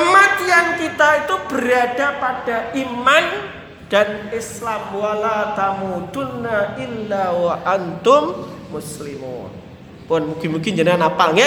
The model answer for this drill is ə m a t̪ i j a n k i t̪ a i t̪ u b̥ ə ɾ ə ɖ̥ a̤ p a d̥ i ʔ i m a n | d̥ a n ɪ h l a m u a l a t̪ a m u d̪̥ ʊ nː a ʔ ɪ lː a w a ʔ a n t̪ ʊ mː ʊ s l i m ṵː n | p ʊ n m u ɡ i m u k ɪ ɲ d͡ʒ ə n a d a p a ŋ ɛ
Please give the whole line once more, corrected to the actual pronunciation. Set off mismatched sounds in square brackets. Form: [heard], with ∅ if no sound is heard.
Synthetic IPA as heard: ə m a t̪ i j a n k i t̪ a i t̪ u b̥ ə ɾ [a] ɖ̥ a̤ p a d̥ [a] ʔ i m a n | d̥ a n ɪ [s] l a m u a l a t̪ a m u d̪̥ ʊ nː a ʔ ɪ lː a w a ʔ a n t̪ ʊ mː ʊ s l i m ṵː n | p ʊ n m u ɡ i m u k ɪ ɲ d͡ʒ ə n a [n] a p a ŋ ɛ